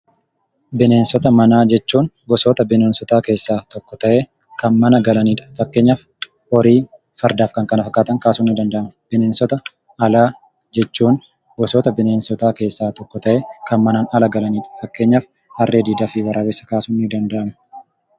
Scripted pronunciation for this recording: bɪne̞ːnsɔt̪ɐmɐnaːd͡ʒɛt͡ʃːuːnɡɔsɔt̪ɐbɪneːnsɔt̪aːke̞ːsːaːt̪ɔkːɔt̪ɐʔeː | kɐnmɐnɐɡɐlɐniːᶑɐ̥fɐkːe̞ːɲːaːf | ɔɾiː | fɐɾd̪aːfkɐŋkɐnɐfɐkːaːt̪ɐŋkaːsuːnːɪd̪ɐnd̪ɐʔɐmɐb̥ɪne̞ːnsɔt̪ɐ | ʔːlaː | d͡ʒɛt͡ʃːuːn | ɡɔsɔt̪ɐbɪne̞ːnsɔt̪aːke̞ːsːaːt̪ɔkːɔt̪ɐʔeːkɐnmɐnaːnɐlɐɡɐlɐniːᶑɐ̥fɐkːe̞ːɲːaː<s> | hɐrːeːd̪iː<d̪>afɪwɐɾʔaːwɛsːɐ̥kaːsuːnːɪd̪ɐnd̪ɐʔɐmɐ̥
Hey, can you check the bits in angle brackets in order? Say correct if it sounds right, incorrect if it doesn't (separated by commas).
incorrect, correct